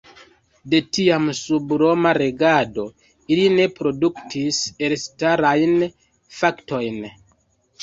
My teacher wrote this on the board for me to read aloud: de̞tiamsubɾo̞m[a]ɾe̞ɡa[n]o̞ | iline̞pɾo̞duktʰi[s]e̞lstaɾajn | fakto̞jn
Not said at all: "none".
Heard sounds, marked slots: a, d, s

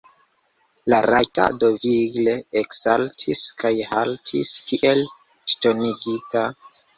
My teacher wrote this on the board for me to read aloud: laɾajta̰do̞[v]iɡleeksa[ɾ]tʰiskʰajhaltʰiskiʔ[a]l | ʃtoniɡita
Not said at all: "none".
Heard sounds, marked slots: v, l, e

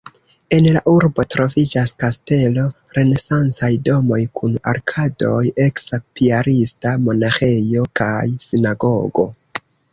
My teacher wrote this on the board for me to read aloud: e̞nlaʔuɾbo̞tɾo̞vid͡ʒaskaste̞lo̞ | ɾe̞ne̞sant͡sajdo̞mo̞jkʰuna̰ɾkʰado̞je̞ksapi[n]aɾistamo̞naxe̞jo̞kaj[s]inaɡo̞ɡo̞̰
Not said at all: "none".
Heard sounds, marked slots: none, s

